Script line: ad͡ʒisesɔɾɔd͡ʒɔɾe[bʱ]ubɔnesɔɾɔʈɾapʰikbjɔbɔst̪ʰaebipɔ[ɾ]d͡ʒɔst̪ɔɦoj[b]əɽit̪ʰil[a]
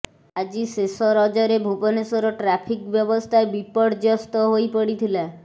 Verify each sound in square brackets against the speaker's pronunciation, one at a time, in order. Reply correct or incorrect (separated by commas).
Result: correct, incorrect, incorrect, correct